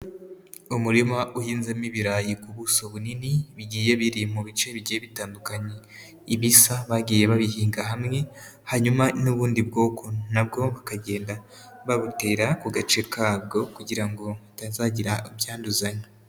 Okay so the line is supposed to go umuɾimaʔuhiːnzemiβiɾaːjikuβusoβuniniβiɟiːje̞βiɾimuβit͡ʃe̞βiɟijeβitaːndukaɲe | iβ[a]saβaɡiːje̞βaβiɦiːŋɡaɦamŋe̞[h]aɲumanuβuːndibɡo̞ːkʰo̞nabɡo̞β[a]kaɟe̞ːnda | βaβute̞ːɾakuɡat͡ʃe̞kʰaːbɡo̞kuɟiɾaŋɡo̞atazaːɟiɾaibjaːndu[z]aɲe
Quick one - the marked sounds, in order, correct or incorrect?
incorrect: i, correct, correct, correct

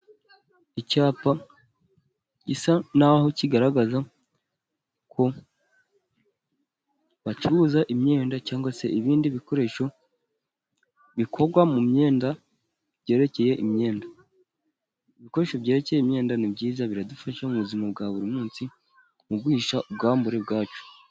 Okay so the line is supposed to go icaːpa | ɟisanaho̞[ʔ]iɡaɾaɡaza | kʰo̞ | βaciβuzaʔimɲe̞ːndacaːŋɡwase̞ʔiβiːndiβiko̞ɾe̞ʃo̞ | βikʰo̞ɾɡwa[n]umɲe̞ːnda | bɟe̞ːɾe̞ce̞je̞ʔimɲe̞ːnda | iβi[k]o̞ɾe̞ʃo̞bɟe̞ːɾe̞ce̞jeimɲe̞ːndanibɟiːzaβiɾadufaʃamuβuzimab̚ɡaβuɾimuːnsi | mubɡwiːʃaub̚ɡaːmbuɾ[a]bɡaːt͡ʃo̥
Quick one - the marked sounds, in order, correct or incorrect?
incorrect: c, incorrect: m, correct, incorrect: e

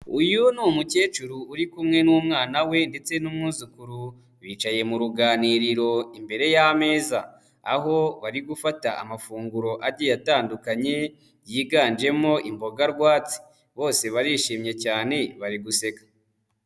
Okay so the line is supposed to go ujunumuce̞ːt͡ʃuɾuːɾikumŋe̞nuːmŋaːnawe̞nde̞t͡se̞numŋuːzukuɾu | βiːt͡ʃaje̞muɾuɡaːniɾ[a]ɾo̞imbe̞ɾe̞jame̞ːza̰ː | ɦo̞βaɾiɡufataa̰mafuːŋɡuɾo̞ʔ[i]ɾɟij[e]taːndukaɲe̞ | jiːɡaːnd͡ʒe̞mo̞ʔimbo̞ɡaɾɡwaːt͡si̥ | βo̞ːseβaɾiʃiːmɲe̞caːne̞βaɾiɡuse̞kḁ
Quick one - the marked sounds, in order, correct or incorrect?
incorrect: i, incorrect: a, incorrect: a

